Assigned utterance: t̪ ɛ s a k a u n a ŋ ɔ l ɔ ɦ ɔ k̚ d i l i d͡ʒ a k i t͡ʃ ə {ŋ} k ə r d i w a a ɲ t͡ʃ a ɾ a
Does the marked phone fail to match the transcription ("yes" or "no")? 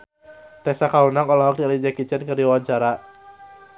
yes